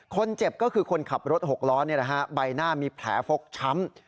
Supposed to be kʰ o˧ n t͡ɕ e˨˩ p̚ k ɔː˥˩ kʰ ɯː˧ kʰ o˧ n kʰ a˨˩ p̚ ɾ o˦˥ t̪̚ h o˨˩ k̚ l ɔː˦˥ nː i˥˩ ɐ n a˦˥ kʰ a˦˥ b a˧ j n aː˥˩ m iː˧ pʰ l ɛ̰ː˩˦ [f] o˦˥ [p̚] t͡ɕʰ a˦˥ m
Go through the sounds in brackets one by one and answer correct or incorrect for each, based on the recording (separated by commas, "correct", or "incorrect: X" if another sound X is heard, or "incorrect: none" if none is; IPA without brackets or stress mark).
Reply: correct, incorrect: k̚